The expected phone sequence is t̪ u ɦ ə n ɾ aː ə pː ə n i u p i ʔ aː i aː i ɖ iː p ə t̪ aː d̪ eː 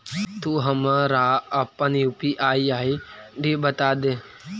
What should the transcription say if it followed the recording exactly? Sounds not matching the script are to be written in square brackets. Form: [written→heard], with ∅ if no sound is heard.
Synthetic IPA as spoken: t̪ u ɦ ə [n→m] ɾ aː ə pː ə n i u p i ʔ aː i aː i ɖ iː [p→b] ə t̪ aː d̪ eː